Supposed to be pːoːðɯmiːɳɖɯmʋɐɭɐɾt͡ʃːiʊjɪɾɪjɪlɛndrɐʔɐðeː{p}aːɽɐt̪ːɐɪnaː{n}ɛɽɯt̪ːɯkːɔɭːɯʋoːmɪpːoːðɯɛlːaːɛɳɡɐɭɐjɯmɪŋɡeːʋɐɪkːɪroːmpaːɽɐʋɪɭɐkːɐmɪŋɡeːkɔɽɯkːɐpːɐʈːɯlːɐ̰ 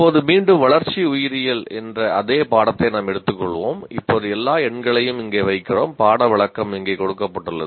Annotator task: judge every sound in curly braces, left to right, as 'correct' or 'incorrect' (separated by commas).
correct, incorrect